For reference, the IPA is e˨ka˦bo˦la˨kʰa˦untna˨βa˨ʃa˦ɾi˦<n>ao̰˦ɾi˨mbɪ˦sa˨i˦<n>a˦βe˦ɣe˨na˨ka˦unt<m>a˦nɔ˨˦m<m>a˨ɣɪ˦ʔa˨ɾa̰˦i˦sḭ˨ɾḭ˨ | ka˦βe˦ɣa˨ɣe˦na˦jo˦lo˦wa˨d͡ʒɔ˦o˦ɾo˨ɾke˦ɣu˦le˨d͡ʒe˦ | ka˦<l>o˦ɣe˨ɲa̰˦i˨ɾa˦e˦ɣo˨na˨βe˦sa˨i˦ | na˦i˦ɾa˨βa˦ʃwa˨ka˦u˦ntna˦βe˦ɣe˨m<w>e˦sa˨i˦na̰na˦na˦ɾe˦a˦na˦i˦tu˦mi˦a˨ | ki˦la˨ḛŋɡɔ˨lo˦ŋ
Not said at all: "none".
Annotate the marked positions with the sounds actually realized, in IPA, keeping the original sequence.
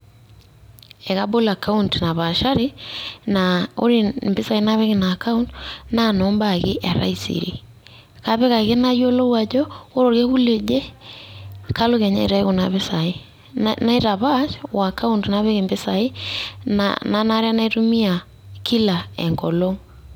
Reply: n, n, n, b, l, b

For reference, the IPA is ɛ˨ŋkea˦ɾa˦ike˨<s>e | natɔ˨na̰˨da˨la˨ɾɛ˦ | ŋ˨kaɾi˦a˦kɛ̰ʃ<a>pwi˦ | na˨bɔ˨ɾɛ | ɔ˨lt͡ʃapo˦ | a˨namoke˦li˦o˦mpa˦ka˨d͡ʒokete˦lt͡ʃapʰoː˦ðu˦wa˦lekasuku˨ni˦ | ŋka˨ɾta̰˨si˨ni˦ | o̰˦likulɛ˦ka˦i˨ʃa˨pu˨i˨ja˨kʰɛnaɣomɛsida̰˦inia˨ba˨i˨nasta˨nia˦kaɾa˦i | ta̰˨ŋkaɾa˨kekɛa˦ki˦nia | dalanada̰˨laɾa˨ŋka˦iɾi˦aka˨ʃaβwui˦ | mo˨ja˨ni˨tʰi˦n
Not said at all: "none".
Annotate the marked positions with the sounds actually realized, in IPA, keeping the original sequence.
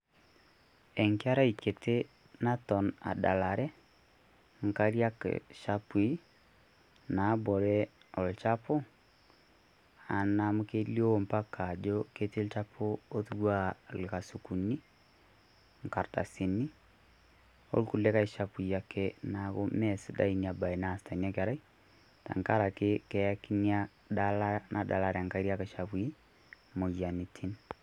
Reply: t, a

